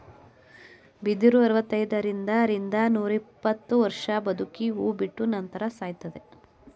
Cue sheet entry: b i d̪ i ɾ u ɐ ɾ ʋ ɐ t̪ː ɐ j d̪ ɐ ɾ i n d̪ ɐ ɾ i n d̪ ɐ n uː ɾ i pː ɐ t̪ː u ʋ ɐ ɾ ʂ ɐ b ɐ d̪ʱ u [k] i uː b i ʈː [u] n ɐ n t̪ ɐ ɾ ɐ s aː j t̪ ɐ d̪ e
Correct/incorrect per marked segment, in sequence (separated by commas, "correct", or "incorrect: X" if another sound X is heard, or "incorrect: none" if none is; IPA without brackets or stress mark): correct, correct